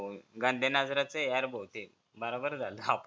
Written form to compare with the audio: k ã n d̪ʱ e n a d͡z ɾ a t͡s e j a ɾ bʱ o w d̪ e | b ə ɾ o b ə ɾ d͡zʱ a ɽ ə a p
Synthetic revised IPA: ɡ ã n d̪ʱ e n a d͡z ɾ a t͡s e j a ɾ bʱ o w t̪ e | b ə ɾ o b ə ɾ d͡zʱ a l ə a p